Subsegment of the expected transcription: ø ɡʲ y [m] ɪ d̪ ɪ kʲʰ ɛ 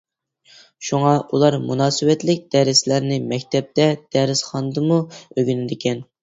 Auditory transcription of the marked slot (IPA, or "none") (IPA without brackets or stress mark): n